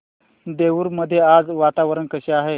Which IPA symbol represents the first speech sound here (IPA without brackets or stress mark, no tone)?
d̪